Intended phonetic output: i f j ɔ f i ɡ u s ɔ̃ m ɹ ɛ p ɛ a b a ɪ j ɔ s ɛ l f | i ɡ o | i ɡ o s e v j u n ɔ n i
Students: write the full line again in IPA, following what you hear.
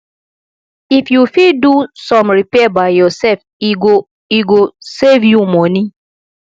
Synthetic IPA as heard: i f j u f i d u s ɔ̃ m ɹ i p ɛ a b a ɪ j ɔ s ɛ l f | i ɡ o | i ɡ o s e v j u m ɔ n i